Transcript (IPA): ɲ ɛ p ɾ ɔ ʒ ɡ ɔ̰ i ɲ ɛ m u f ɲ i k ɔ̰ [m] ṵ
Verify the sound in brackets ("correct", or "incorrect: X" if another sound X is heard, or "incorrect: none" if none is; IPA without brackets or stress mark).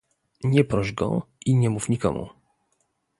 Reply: correct